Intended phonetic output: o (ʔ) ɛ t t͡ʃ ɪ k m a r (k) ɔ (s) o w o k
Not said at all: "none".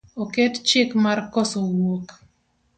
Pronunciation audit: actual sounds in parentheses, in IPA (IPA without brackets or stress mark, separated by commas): k, k, s